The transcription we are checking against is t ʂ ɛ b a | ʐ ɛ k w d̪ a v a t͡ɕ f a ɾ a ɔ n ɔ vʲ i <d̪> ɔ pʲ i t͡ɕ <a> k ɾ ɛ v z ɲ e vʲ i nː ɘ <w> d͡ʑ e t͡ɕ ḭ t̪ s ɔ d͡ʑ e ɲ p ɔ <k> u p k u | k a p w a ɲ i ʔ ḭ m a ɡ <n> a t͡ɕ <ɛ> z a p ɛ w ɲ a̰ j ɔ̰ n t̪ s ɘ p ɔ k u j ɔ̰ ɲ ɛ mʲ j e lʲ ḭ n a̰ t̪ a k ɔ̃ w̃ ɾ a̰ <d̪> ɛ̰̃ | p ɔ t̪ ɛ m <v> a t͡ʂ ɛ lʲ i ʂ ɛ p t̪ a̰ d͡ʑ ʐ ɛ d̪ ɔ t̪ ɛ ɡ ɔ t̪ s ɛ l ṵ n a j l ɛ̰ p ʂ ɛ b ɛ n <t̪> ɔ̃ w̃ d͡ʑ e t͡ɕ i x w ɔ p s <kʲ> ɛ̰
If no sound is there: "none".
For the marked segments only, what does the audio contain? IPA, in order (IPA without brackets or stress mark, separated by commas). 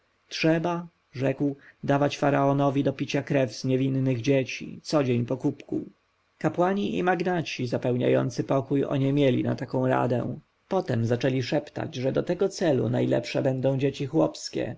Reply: d̪, a, ɣ, k, n, i, d̪, z, d̪, kʲ